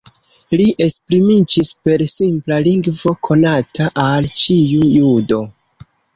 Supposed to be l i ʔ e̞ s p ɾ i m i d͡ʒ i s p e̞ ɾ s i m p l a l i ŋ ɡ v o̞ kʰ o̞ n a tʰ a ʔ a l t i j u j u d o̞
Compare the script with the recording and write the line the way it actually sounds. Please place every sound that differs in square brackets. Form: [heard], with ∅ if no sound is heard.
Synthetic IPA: l i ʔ e̞ s p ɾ i m i d͡ʒ i s p e̞ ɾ s i m p l a l i ŋ ɡ v o̞ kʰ o̞ n a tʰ a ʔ a l [t͡ʃ] i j u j u d o̞